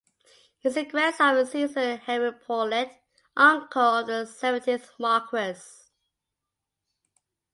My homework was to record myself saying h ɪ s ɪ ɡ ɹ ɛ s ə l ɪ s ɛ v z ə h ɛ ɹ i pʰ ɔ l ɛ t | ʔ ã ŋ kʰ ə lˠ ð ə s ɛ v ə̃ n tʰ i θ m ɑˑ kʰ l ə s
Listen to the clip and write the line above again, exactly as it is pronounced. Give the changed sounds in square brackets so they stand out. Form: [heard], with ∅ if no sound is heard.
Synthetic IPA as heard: h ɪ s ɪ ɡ ɹ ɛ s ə [ɹ] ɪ s [i] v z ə h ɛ ɹ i pʰ ɔ l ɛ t | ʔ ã ŋ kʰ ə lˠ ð ə s ɛ v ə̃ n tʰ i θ m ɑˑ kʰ [ɹ] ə s